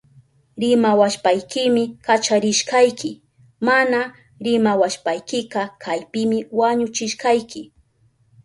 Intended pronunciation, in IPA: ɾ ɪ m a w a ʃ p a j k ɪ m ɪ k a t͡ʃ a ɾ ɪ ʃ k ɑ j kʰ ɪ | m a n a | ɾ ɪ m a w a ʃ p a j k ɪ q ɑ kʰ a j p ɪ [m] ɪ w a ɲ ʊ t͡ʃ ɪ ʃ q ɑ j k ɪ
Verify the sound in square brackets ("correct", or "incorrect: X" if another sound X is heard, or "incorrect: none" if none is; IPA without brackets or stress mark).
correct